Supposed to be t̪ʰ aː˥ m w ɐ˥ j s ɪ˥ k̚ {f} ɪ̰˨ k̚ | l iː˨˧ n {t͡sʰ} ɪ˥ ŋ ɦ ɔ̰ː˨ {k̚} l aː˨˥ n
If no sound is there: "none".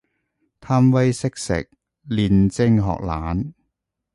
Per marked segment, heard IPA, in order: s, t͡s, k̚

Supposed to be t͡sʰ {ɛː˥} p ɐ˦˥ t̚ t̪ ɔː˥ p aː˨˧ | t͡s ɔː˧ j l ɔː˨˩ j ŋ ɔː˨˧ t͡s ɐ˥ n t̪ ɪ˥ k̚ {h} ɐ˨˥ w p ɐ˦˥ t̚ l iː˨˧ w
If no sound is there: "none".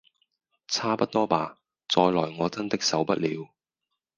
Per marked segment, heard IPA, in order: aː˥, s

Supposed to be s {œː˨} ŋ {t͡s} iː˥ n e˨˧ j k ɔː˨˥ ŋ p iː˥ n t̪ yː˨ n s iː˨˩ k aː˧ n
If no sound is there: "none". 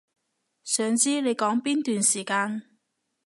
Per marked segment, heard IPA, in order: œː˨, t͡s

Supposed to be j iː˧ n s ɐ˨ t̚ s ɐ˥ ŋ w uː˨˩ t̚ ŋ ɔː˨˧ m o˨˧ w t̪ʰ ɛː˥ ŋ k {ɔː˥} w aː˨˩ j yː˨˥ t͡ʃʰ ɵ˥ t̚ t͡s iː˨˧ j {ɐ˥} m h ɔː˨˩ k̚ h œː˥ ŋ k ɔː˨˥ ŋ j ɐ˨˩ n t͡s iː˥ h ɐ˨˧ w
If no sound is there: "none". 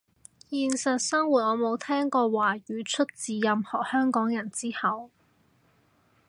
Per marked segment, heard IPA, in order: ɔː˧, ɐ˨

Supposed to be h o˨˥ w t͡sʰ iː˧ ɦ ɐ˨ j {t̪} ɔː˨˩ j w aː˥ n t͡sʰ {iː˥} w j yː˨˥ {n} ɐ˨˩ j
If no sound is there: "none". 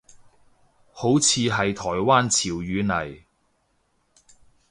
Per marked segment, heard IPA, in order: t̪ʰ, iː˨˩, n

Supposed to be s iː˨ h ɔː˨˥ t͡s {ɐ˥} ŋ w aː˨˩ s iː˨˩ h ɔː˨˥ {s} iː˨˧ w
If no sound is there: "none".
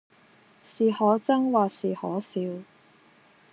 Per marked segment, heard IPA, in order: ɐ˥, s

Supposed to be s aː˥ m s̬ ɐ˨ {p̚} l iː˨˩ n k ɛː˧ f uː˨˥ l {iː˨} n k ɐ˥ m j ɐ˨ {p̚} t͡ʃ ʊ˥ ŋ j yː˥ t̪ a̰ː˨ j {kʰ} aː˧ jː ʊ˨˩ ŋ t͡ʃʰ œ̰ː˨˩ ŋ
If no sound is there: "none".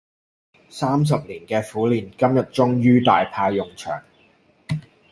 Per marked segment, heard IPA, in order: p̚, iː˨, t̚, pʰ

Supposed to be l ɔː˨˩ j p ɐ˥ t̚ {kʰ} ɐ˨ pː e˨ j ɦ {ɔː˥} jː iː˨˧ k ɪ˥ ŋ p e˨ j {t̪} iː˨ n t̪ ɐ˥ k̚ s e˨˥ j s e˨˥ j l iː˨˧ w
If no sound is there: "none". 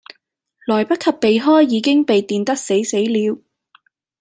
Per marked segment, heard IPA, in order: kʰ, ɔː˥, t̪

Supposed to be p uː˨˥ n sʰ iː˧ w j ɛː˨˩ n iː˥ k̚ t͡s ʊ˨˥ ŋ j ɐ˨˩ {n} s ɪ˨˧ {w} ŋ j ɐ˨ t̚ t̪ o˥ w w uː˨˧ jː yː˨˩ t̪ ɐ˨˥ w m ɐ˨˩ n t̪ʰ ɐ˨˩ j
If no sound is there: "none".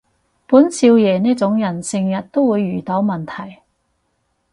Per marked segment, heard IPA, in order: n, none

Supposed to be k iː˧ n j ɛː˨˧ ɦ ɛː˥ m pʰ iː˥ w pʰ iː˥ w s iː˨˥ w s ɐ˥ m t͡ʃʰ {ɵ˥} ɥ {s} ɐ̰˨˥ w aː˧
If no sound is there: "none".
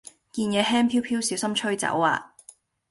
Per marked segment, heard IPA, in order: ɵ˥, t͡s

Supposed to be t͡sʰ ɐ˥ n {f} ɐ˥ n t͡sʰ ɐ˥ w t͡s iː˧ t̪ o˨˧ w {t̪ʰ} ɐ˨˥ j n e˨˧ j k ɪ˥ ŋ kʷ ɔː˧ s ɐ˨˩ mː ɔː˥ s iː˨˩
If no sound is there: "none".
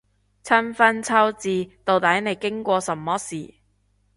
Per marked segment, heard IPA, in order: f, t̪

